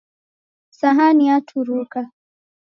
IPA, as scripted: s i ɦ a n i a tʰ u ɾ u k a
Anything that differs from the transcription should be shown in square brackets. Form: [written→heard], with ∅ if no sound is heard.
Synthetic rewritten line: s [i→a] ɦ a n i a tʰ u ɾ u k a